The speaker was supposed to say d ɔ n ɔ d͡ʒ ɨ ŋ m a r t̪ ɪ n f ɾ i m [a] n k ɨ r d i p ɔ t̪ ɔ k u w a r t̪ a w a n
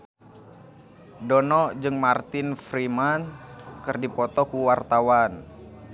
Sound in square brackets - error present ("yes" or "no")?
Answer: no